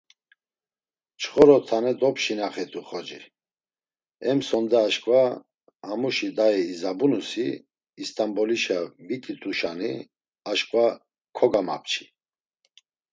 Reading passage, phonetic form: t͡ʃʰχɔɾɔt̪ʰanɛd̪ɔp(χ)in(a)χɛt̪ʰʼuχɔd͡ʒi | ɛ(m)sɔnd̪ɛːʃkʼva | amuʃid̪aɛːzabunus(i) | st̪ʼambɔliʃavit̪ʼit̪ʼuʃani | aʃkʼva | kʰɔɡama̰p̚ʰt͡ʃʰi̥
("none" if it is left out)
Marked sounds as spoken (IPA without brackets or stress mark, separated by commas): ʃ, a, m, iː